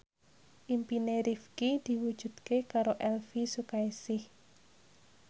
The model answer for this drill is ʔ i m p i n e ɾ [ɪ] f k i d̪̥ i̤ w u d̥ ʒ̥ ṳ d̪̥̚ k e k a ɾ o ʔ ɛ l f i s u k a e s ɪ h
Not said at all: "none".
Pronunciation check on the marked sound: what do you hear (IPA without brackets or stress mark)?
i